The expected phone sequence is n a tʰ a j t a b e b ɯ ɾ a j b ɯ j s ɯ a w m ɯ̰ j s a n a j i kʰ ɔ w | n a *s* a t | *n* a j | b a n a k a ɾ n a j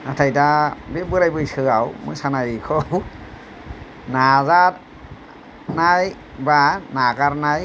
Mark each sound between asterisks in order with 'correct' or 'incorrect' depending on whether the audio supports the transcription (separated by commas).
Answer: incorrect, correct